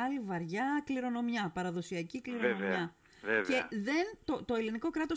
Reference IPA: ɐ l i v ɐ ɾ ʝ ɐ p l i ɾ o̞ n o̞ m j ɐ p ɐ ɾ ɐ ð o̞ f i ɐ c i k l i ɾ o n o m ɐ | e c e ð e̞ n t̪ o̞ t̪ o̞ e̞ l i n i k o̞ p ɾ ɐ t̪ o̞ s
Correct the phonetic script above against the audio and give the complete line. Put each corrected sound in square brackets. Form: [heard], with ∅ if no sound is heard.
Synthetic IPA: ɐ l i v ɐ ɾ ʝ ɐ [k] l i ɾ o̞ n o̞ m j ɐ p ɐ ɾ ɐ ð o̞ [s] i ɐ c i k l i ɾ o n o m ɐ | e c e ð e̞ n t̪ o̞ t̪ o̞ e̞ l i n i k o̞ [k] ɾ ɐ t̪ o̞ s